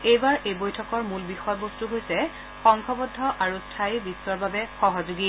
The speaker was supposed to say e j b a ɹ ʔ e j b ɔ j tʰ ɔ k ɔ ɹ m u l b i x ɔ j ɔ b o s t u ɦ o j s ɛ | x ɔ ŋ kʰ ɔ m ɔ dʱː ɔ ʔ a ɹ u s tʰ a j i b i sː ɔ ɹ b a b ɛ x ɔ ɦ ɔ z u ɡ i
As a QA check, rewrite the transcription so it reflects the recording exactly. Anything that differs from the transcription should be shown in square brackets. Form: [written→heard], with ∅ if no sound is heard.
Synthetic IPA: e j b a ɹ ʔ e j b [ɔ→o] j tʰ ɔ k ɔ ɹ m u l b i x ɔ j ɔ b o s t u ɦ o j s ɛ | x ɔ ŋ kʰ ɔ [m→b] ɔ dʱː ɔ ʔ a ɹ u s tʰ a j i b i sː ɔ ɹ b a b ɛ x ɔ ɦ ɔ z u ɡ i

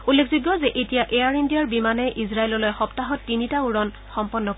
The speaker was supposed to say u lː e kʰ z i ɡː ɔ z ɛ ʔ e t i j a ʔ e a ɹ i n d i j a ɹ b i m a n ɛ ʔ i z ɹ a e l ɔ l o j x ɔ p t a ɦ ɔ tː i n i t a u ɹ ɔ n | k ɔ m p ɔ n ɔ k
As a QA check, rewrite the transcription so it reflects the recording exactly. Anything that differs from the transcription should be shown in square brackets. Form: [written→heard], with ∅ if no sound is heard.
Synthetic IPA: u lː e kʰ z i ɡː ɔ z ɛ ʔ e t i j a ʔ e a ɹ i n d i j a ɹ b i m a n ɛ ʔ i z ɹ a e l ɔ l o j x ɔ p t a ɦ ɔ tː i n i t a u ɹ ɔ n | [k→x] ɔ m p ɔ [n→nː] ɔ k

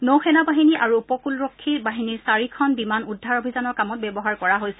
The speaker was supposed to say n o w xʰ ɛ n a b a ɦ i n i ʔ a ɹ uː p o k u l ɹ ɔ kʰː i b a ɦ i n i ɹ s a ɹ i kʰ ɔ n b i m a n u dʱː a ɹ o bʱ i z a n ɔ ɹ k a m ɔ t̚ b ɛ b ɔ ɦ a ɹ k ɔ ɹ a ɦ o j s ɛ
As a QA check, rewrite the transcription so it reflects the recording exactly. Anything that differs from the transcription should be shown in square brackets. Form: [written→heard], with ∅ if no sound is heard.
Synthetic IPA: n o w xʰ ɛ n a b a ɦ i n i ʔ a ɹ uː p [o→ɔ] k u l ɹ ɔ kʰː i b a ɦ i n i ɹ s a ɹ i kʰ ɔ n b i m a n u dʱː a ɹ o bʱ i z a n ɔ ɹ k a m ɔ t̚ b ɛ b ɔ ɦ a ɹ k ɔ ɹ a ɦ o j s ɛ

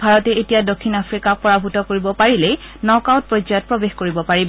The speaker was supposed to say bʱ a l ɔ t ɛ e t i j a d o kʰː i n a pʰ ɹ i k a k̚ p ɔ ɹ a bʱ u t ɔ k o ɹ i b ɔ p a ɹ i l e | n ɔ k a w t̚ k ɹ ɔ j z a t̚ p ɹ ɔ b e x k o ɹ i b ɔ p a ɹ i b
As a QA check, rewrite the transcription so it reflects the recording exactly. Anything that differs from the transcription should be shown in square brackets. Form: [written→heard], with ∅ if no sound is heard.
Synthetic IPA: bʱ a [l→ɹ] ɔ t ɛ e t i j a d o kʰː i n a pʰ ɹ i k a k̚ p ɔ ɹ a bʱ u t ɔ k o ɹ i b ɔ p a ɹ i l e | n ɔ k a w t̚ [k→p] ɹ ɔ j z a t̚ p ɹ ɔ b e x k o ɹ i b ɔ p a ɹ i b

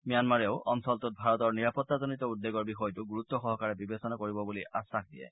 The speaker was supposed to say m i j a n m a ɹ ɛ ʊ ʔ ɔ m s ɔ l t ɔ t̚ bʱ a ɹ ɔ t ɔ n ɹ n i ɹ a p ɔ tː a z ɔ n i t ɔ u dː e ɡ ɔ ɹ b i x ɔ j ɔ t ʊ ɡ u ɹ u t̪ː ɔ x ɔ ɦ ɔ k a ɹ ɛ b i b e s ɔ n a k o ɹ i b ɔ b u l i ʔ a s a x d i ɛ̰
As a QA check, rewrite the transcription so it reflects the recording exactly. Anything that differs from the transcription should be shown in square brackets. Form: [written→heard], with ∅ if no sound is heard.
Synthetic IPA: m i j a n m a ɹ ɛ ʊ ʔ ɔ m s ɔ l t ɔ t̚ bʱ a ɹ ɔ t ɔ [n→∅] ɹ n i ɹ a p ɔ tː a z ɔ n i t ɔ u dː e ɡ ɔ ɹ b i x ɔ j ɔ t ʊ ɡ u ɹ u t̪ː ɔ x ɔ ɦ ɔ k a ɹ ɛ b i b e s ɔ n a k o ɹ i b ɔ b u l i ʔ a s a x d i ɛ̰

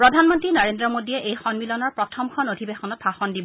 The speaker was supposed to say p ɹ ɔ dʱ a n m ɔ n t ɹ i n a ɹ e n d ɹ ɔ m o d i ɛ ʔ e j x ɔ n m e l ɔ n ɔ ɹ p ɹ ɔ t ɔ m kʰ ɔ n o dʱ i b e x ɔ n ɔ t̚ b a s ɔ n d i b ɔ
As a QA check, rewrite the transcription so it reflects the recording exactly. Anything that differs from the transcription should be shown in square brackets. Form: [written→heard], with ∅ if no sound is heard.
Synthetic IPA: p ɹ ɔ dʱ a n m ɔ n t ɹ i n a ɹ e n d ɹ ɔ m o d i ɛ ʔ e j x ɔ n m [e→i] l ɔ n ɔ ɹ p ɹ ɔ [t→tʰ] ɔ m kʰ ɔ n o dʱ i b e x ɔ n ɔ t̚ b a [s→x] ɔ n d i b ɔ

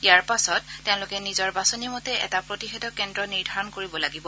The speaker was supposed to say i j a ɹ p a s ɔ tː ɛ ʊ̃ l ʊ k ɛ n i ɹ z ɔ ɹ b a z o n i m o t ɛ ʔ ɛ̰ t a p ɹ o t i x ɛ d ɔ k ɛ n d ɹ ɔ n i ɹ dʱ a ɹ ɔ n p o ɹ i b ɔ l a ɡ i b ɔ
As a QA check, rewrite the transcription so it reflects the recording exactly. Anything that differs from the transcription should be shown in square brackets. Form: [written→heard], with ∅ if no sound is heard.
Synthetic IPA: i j a ɹ p a s ɔ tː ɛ ʊ̃ l ʊ k ɛ n i [ɹ→∅] z ɔ ɹ b a [z→s] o n i m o t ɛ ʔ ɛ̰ t a p ɹ o t i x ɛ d ɔ k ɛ n d ɹ ɔ n i ɹ dʱ a ɹ ɔ n [p→k] o ɹ i b ɔ l a ɡ i b ɔ

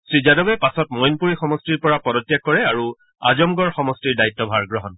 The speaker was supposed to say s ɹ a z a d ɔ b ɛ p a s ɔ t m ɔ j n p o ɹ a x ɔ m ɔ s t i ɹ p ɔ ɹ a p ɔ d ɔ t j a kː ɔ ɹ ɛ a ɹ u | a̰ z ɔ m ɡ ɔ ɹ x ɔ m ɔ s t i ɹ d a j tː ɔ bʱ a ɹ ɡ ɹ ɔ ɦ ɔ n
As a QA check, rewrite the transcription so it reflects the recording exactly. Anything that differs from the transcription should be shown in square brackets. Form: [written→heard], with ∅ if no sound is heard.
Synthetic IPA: s ɹ [a→i] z a d ɔ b ɛ p a s ɔ t m ɔ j n p [o→u] ɹ [a→i] x ɔ m ɔ s t i ɹ p ɔ ɹ a p ɔ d ɔ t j a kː ɔ ɹ ɛ a ɹ u | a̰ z ɔ m ɡ ɔ ɹ x ɔ m ɔ s t i ɹ d a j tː ɔ bʱ a ɹ ɡ ɹ ɔ ɦ ɔ n

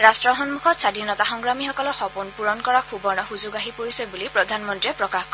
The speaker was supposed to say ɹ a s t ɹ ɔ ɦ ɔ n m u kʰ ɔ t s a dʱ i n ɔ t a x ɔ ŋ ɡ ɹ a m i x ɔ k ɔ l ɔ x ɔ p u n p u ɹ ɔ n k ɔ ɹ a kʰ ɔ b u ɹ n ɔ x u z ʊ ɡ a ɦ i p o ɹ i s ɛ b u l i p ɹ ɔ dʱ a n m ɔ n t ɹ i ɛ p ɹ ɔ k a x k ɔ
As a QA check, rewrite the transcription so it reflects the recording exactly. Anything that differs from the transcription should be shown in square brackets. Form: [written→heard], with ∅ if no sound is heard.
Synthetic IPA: ɹ a s t ɹ ɔ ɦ ɔ n m u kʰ ɔ t s a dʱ i n ɔ t a x ɔ ŋ ɡ ɹ a m i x ɔ k ɔ l ɔ x ɔ p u n p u ɹ ɔ n k ɔ ɹ a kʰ [ɔ→u] b [u→ɔ] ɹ n ɔ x u z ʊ ɡ a ɦ i p o ɹ i s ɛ b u l i p ɹ ɔ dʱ a n m ɔ n t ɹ i ɛ p ɹ ɔ k a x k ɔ

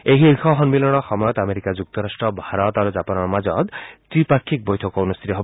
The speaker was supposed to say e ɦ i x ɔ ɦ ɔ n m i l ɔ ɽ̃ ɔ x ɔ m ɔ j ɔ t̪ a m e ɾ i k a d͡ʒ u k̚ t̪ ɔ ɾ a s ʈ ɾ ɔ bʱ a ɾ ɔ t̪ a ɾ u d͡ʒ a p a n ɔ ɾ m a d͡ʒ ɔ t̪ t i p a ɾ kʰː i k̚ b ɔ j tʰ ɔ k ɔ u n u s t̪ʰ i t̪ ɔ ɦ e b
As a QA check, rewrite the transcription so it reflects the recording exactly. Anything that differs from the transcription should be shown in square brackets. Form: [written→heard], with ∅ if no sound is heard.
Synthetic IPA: e ɦ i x ɔ ɦ ɔ n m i l ɔ ɽ̃ ɔ x ɔ m ɔ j ɔ t̪ a m e ɾ i k a d͡ʒ u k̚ t̪ ɔ ɾ a s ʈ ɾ ɔ bʱ a ɾ ɔ t̪ a ɾ u d͡ʒ a p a n ɔ ɾ m a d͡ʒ ɔ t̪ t i p a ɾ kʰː i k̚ b ɔ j tʰ ɔ k ɔ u n u s t̪ʰ i t̪ ɔ ɦ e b

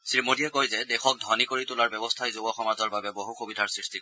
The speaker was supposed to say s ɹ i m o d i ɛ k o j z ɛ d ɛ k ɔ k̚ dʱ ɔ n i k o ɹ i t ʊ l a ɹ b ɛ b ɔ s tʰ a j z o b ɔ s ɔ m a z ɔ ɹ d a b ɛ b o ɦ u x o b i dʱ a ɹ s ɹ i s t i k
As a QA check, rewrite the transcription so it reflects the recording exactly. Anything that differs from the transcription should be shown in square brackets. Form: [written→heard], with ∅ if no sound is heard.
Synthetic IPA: s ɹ i m o d i ɛ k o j z ɛ d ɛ [k→x] ɔ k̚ dʱ ɔ n i k o ɹ i t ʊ l a ɹ b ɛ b ɔ s tʰ a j z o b ɔ [s→x] ɔ m a z ɔ ɹ [d→b] a b ɛ b o ɦ u x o b i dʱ a ɹ s ɹ i s t i k

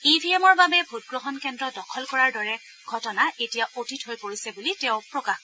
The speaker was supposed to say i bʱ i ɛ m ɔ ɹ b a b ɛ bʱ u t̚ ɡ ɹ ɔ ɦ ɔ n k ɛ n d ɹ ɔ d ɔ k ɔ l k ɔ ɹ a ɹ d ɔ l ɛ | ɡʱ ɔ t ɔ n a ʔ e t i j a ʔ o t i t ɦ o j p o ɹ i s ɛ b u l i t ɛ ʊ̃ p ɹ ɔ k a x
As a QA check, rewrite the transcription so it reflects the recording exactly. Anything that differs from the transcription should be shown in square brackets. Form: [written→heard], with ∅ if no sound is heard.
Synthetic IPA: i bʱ i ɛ m ɔ ɹ b a b ɛ bʱ u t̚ ɡ ɹ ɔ ɦ ɔ n k ɛ n d ɹ ɔ d ɔ [k→kʰ] ɔ l k ɔ ɹ a ɹ d ɔ [l→ɹ] ɛ | ɡʱ ɔ t ɔ n a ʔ e t i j a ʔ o t i t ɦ o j p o ɹ i s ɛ b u l i t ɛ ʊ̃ p ɹ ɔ k a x

